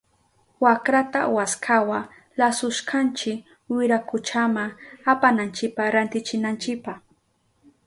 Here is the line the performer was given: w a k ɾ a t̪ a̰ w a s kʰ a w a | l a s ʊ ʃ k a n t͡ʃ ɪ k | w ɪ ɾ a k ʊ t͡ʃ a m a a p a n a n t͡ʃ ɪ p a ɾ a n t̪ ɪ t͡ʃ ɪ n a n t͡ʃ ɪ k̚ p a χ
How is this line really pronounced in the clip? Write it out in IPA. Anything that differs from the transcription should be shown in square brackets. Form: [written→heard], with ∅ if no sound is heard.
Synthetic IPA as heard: w a k ɾ a t̪ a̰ w a s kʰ a w a | l a s ʊ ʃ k a n t͡ʃ ɪ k | w ɪ ɾ a k ʊ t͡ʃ a m a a p a n a n t͡ʃ ɪ p a ɾ a n t̪ ɪ t͡ʃ ɪ n a n t͡ʃ ɪ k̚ p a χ

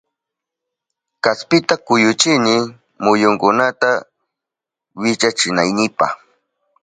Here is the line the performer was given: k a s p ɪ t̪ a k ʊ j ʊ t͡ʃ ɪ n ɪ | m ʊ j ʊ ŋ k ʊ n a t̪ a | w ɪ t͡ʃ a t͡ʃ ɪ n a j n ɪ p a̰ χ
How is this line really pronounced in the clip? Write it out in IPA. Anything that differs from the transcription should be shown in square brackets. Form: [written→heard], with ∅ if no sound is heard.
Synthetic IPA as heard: k a s p ɪ t̪ a k ʊ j ʊ t͡ʃ ɪ n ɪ | m ʊ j ʊ ŋ k ʊ n a t̪ a | w ɪ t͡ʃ a t͡ʃ ɪ n a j n ɪ p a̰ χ

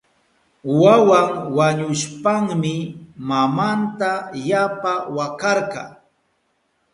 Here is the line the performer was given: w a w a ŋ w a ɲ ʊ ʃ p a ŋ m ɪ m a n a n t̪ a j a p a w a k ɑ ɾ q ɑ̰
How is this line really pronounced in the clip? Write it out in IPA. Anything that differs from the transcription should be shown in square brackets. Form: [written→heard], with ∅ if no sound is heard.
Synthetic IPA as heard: w a w a ŋ w a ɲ ʊ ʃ p a ŋ m ɪ m a [n→m] a n t̪ a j a p a w a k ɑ ɾ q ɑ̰

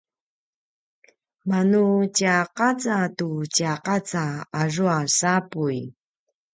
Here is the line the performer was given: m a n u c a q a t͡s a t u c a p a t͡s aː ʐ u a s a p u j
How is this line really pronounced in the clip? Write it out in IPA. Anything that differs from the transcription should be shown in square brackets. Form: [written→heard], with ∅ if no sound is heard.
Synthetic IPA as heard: m a n u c a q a t͡s a t u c a [p→q] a t͡s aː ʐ u a s a p u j

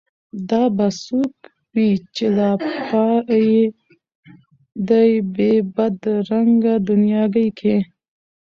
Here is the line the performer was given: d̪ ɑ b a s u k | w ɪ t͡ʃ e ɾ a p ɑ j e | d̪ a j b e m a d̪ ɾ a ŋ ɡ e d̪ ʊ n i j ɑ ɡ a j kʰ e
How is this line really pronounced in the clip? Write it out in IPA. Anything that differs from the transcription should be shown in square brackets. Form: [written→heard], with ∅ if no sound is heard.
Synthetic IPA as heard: d̪ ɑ b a s u k | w [ɪ→i] t͡ʃ e [ɾ→l] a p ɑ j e | d̪ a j b e [m→b] a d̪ ɾ a ŋ ɡ [e→a] d̪ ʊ n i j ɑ ɡ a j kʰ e

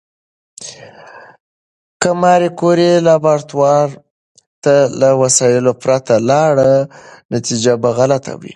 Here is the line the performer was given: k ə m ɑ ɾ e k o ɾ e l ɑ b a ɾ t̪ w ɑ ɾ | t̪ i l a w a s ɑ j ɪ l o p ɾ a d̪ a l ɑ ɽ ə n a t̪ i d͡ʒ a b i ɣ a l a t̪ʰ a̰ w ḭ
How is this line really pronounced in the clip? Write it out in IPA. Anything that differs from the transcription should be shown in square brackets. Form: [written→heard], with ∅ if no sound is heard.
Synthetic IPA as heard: k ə m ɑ ɾ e k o ɾ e l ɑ b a ɾ t̪ w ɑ ɾ | t̪ [i→a] l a w a s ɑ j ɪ l o p ɾ a [d̪→t̪] a l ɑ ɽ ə n a t̪ i d͡ʒ a b [i→a] ɣ a l a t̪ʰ a̰ w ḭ

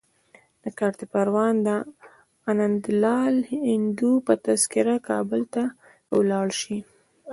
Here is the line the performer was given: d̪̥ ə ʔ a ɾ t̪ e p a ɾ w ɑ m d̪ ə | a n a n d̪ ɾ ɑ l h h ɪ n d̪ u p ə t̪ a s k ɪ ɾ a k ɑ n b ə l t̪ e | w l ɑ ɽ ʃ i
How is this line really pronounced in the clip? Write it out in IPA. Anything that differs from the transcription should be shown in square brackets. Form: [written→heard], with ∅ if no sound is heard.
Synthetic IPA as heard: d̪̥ ə [ʔ→k] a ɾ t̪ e p a ɾ w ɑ [m→n] d̪ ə | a n a n d̪ [ɾ→l] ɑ l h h ɪ n d̪ u p ə t̪ a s k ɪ ɾ a k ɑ [n→∅] b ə l t̪ [e→a] | w l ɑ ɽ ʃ i

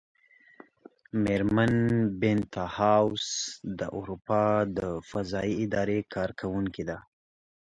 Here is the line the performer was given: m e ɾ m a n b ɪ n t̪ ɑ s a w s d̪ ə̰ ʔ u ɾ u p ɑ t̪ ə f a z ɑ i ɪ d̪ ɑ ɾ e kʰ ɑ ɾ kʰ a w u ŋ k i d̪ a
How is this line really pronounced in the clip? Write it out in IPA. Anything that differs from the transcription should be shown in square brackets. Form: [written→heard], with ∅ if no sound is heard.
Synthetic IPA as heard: m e ɾ m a n b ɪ n t̪ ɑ [s→h] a w s d̪ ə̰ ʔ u ɾ u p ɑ [t̪→d̪] ə f a z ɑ i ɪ d̪ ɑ ɾ e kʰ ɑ ɾ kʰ a w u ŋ k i d̪ a

